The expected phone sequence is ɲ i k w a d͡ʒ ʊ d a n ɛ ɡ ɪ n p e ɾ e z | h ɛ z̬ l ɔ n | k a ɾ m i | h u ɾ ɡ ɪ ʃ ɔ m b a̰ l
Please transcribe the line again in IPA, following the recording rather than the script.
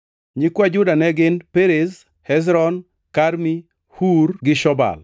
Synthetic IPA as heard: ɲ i k w a d͡ʒ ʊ d a n ɛ ɡ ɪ n p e ɾ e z | h ɛ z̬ ɾ ɔ n | k a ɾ m i | h u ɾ ɡ ɪ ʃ ɔ b a̰ l

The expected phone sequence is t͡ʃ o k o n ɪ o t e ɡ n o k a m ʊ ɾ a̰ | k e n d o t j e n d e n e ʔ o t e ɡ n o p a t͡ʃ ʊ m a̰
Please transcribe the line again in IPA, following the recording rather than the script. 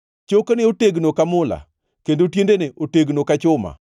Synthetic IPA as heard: t͡ʃ o k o n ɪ o t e ɡ n o k a m ʊ l a̰ | k e n d o t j e n d e n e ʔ o t e ɡ n o k a t͡ʃ ʊ m a̰

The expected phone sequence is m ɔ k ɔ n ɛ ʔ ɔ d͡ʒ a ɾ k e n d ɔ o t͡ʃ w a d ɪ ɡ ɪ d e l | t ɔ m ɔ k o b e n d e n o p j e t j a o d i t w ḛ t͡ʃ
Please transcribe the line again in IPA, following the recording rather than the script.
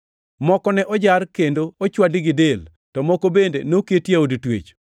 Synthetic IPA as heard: m ɔ k ɔ n ɛ ʔ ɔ d͡ʒ a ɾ k e n d o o t͡ʃ w a d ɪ ɡ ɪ d e l | t ɔ m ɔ k o b e n d e n o k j e t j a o d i t w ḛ t͡ʃ

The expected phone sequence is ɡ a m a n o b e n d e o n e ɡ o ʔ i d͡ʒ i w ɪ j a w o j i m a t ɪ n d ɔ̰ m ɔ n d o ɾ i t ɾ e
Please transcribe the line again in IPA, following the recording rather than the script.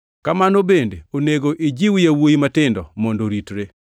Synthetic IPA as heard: k a m a n o b e n d e o n e ɡ o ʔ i d͡ʒ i w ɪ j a w o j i m a t ɪ n d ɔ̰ m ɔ n d o ɾ i t ɾ e

